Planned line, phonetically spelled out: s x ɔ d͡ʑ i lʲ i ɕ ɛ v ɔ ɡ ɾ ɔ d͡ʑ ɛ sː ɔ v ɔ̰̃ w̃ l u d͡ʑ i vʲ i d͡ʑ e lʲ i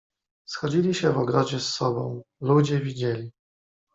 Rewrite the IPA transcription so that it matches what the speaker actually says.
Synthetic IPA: s x ɔ d͡ʑ i lʲ i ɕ ɛ v ɔ ɡ ɾ ɔ d͡ʑ ɛ sː ɔ b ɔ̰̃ w̃ l u d͡ʑ ɛ vʲ i d͡ʑ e lʲ i

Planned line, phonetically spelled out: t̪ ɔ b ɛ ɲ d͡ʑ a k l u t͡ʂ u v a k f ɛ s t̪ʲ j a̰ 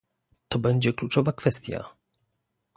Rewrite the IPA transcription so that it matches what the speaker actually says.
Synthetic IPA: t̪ ɔ b ɛ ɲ d͡ʑ ɛ k l u t͡ʂ ɔ v a k f ɛ s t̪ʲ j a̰

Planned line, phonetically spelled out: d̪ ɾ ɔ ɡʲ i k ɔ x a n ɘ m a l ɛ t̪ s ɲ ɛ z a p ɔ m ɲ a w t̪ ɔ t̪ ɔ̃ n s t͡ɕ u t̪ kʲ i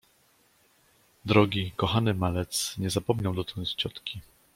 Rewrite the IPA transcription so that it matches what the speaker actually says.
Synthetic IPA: d̪ ɾ ɔ ɡʲ i k ɔ x a n ɘ m a l ɛ t̪ s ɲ ɛ z a p ɔ m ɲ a w d̪ ɔ t̪ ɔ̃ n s t͡ɕ ɔ t̪ kʲ i

